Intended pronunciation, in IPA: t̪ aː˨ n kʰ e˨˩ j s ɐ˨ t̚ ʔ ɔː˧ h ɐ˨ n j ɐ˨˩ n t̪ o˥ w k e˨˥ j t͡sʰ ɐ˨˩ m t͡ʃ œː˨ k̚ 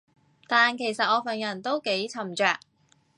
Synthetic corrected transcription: t̪ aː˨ n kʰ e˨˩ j s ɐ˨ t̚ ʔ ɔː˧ f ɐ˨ n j ɐ˨˩ n t̪ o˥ w k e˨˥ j t͡sʰ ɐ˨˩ m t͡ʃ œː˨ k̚